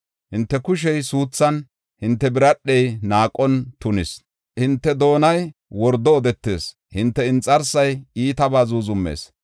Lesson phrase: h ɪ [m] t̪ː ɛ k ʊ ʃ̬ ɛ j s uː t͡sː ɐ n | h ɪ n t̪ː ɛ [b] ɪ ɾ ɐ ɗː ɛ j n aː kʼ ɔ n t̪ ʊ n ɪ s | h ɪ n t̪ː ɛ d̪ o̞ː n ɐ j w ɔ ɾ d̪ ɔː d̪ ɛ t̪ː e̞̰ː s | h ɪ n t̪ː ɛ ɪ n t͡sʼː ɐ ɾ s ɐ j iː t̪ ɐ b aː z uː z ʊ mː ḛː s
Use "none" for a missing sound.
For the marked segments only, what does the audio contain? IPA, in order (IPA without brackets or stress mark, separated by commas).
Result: n, b